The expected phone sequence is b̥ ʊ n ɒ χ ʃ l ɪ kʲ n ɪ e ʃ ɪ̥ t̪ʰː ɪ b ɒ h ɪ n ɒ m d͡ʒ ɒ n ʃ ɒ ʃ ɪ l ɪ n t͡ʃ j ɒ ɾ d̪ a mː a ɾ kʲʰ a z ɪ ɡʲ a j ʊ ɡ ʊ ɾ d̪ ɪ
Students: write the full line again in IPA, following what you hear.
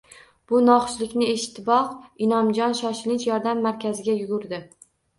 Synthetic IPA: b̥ ʊ n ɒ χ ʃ l ɪ kʲ n ɪ e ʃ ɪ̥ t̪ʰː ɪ b ɒ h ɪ n ɒ m d͡ʒ ɒ n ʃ ɒ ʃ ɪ l ɪ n t͡ʃ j ɒ ɾ d̪ a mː a ɾ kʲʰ a z ɪ ɡʲ a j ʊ ɡ ʊ ɾ d̪ ɪ